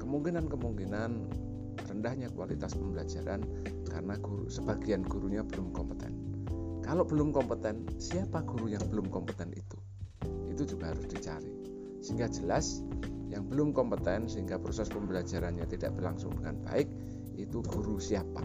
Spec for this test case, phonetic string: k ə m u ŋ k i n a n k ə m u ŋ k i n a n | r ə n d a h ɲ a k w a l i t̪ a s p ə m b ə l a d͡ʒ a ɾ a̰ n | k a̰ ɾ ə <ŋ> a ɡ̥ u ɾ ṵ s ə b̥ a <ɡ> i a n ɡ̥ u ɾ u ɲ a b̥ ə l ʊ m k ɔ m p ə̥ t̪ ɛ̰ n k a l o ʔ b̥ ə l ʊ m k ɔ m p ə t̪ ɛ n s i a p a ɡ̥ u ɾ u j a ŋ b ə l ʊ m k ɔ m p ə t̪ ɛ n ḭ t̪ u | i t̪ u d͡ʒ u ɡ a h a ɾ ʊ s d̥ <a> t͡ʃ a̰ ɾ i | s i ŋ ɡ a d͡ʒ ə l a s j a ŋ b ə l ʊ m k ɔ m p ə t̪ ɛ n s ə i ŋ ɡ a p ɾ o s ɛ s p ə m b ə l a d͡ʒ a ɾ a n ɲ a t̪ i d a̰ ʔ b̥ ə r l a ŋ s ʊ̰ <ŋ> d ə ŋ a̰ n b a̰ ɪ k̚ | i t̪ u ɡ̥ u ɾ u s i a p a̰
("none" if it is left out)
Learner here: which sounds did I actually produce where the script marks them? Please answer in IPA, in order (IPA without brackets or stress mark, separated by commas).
n, ɡ, i, ŋ